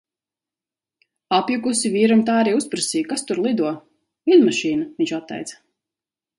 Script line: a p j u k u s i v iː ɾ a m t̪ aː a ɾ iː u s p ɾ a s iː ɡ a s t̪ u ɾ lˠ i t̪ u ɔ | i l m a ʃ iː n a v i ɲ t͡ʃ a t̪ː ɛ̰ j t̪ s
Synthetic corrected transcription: a p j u k u s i v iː ɾ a m t̪ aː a ɾ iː u s p ɾ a s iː k a s t̪ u ɾ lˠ i d̪ u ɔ | i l m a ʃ iː n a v i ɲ t͡ʃ a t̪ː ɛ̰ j t̪ s